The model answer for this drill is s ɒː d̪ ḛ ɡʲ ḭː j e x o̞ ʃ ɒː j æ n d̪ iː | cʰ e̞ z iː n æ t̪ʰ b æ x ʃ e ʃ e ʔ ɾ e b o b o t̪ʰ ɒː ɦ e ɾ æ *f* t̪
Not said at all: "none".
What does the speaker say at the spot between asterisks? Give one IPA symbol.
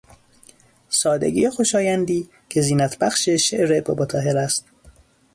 s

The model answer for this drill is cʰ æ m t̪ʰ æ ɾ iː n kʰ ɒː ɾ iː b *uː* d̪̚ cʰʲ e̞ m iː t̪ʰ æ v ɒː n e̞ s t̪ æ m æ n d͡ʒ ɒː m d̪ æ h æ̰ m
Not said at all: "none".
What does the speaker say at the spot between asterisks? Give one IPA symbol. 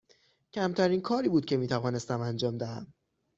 uː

